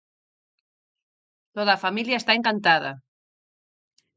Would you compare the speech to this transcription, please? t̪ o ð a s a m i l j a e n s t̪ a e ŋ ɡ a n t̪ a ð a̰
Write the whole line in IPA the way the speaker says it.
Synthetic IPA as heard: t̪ o ð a f a m i l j a e s t̪ a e ŋ k a n t̪ a ð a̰